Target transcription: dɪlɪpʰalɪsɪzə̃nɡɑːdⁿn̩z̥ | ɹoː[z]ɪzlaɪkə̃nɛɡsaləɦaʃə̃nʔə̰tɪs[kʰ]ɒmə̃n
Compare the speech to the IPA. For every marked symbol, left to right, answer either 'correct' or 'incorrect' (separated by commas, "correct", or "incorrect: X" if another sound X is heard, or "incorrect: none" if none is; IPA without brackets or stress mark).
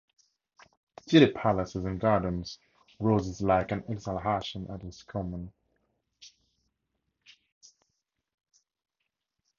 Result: correct, correct